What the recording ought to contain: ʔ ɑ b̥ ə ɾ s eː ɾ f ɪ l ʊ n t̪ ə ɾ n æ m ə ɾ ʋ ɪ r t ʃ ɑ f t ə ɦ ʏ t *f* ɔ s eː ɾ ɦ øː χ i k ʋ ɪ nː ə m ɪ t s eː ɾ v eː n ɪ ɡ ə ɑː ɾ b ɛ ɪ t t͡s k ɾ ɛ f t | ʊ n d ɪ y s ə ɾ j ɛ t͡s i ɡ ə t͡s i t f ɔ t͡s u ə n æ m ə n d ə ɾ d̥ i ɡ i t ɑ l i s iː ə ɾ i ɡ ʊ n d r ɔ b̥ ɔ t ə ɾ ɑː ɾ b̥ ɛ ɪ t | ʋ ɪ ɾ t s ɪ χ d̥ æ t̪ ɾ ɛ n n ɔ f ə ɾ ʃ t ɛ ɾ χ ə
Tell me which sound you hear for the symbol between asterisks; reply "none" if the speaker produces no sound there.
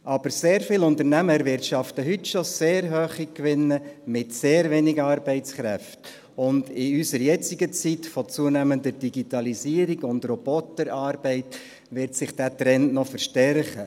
ʃ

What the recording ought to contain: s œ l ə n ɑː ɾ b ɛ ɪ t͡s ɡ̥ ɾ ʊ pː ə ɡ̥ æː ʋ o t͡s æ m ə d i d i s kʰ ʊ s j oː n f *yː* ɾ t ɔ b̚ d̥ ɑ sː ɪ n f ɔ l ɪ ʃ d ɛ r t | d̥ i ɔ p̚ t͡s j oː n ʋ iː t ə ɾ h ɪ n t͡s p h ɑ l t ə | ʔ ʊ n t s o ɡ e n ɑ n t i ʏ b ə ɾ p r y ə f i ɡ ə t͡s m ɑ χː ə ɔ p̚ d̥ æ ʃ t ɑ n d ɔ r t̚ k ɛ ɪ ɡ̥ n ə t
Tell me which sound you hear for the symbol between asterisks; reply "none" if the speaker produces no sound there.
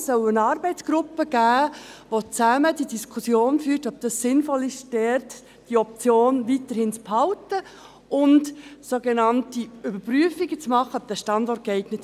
yː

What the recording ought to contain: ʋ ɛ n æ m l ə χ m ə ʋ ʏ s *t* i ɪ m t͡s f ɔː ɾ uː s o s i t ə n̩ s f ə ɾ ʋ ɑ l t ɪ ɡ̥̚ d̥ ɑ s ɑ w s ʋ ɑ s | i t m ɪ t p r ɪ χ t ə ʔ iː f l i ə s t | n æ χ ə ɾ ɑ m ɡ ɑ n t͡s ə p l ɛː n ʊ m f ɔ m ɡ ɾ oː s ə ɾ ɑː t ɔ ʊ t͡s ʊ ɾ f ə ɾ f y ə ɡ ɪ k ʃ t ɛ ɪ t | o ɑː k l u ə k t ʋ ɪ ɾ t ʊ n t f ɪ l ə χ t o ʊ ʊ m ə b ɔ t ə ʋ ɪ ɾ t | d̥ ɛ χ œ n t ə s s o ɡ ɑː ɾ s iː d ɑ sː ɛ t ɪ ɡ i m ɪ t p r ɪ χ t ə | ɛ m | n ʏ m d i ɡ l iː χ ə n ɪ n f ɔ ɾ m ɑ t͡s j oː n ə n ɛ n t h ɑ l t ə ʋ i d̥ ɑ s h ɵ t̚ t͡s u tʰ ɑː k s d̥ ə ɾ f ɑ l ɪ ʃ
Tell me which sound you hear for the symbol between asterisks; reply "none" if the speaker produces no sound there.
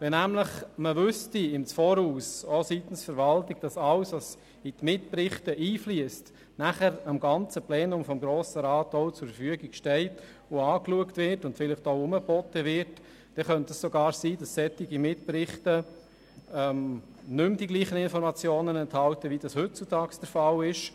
t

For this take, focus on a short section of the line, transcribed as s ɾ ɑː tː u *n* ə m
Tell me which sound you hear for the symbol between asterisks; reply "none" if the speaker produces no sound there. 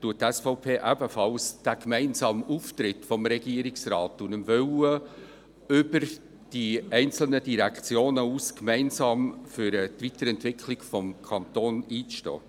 n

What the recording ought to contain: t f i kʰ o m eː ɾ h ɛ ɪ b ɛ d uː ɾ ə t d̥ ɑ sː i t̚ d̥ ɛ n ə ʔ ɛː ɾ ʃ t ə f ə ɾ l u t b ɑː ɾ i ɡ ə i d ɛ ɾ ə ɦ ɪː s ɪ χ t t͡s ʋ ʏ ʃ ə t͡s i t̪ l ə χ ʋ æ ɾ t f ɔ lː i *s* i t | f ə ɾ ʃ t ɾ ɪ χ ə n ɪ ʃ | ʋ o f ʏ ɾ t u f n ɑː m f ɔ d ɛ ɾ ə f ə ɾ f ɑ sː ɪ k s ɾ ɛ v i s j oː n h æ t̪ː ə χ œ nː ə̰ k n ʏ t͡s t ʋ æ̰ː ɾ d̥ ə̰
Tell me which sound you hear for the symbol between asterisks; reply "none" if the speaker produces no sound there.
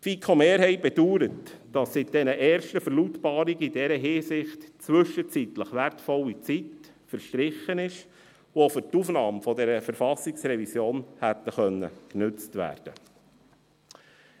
t͡s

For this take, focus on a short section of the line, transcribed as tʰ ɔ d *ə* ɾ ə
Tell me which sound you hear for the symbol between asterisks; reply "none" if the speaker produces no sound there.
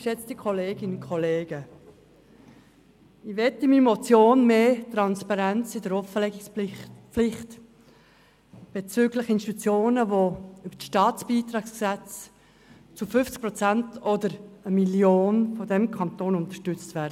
ə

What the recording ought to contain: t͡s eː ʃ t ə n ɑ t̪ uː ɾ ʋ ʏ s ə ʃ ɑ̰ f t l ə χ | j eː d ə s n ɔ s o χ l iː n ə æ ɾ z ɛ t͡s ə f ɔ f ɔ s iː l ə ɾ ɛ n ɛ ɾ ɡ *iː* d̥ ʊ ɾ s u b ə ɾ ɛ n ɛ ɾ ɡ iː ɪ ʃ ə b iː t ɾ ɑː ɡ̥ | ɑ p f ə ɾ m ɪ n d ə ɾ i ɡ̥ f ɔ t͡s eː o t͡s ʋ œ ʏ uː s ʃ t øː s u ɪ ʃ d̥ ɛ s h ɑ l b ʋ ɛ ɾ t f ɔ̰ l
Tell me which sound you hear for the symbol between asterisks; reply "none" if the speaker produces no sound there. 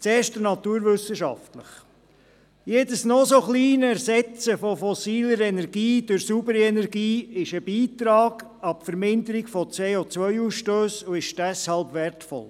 iː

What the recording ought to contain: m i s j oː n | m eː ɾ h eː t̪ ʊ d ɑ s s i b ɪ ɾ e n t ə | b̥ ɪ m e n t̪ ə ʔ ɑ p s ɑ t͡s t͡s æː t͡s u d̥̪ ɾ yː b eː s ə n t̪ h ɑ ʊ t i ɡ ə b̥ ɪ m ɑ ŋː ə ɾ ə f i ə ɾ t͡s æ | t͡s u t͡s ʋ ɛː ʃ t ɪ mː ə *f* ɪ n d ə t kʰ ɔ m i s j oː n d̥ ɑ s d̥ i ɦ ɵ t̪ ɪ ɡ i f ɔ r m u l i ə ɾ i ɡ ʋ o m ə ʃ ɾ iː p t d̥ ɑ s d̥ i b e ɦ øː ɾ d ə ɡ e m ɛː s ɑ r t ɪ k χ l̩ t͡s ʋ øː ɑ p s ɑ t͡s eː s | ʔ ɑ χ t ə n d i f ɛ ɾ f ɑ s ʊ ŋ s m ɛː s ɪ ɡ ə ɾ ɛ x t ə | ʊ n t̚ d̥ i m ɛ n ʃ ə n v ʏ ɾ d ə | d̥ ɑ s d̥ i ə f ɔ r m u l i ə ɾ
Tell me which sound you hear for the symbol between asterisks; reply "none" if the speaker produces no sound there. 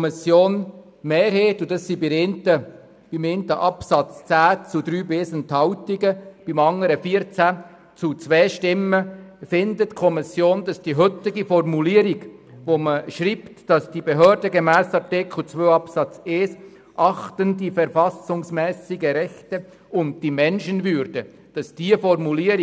f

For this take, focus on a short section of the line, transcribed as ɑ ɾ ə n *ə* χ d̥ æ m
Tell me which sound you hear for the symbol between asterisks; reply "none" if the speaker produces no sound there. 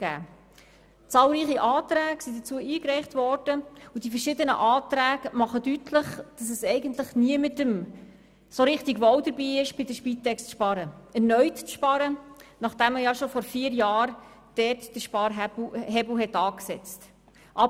ɑ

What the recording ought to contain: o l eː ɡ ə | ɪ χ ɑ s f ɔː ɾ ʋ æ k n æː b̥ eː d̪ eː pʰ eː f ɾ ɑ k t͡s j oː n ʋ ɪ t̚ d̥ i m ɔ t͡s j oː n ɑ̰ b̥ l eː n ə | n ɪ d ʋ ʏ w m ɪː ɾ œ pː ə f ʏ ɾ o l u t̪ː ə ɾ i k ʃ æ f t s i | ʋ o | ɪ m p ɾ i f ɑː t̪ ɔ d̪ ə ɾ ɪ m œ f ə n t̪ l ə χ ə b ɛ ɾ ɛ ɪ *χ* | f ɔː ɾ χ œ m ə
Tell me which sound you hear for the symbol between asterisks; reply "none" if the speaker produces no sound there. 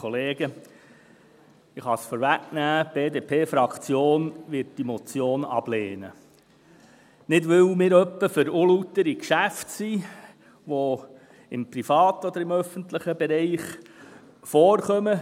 χ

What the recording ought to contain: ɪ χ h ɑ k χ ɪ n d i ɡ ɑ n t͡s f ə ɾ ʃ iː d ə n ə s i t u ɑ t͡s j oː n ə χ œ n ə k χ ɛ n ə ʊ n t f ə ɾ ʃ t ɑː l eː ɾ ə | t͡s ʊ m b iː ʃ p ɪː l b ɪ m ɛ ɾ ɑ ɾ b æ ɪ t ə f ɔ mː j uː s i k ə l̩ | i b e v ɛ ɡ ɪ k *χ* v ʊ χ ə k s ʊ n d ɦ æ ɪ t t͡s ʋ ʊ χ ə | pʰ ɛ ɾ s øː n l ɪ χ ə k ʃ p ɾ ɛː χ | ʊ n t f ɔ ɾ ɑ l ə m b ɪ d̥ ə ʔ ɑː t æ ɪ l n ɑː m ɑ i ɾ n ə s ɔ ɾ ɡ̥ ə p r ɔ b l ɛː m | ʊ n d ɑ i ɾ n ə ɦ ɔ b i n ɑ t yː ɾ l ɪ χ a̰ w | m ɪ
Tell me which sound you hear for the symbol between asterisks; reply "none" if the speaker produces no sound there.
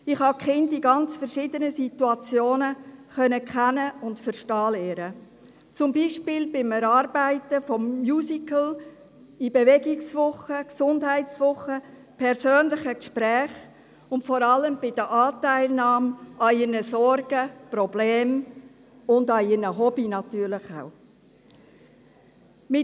s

